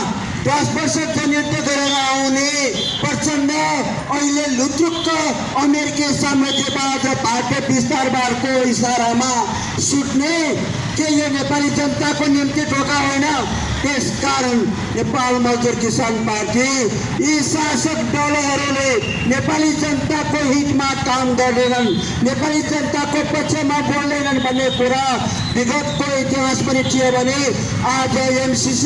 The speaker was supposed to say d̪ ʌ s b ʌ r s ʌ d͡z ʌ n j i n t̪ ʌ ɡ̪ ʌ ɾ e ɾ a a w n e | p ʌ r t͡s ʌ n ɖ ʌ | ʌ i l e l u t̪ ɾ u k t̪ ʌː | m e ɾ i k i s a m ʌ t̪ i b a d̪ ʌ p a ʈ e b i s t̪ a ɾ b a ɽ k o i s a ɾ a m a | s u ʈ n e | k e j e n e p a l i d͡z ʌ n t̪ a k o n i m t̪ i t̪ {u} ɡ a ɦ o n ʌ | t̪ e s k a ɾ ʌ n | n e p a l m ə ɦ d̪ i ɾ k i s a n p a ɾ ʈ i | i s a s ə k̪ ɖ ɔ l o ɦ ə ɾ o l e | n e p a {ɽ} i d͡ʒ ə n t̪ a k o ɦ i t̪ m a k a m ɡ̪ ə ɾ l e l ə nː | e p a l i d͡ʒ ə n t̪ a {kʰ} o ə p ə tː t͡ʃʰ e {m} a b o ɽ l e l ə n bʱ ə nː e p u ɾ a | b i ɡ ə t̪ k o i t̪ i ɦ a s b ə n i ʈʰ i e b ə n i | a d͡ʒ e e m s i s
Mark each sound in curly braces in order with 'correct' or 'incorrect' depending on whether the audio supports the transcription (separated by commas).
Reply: incorrect, incorrect, incorrect, correct